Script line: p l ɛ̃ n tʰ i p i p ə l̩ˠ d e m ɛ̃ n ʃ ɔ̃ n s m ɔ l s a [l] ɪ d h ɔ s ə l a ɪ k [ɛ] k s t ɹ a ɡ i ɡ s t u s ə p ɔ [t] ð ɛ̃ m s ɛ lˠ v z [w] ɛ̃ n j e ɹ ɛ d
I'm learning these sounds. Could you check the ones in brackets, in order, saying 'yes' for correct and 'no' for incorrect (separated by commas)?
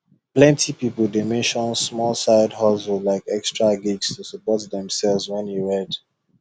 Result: no, yes, yes, yes